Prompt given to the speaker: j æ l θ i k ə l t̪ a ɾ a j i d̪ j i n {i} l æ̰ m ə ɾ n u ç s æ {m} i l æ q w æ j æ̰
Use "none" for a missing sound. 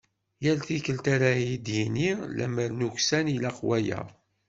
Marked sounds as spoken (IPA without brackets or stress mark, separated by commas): i, n